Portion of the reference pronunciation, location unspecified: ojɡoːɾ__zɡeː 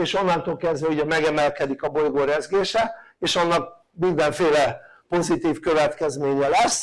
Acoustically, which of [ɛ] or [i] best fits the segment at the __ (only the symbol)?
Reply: ɛ